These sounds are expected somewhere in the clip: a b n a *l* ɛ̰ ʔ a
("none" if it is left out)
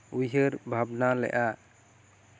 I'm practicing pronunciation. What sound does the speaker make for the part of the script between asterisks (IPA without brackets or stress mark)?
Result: l